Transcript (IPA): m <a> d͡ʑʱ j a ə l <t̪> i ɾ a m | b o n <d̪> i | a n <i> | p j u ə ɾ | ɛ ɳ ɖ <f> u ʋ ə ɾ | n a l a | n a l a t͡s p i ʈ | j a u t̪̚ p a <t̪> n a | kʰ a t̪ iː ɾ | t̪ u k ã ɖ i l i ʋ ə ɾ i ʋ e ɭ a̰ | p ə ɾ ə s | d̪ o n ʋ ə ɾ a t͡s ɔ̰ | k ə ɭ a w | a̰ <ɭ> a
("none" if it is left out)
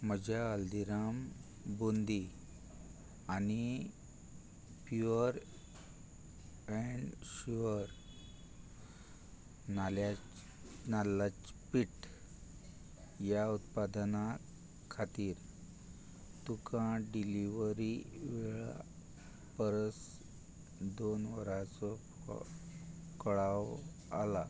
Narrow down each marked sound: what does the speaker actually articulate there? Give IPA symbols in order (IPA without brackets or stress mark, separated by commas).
ə, d̪, d̪, i, ɕ, d̪, l